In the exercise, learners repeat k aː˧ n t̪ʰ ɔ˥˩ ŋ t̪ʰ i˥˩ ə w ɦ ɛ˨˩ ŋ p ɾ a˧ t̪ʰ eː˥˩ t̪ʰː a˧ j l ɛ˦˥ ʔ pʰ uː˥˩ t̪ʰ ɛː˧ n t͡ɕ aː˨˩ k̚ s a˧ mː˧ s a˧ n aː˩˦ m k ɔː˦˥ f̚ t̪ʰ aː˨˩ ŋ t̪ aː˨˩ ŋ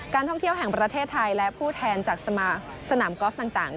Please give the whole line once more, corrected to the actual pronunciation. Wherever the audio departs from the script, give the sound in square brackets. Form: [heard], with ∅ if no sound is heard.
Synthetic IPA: k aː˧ n t̪ʰ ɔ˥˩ ŋ t̪ʰ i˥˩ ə w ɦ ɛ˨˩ ŋ p ɾ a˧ t̪ʰ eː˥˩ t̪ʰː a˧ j l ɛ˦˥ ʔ pʰ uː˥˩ t̪ʰ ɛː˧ n t͡ɕ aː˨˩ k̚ s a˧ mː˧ s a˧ n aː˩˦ m k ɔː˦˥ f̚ [t̪] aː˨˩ ŋ t̪ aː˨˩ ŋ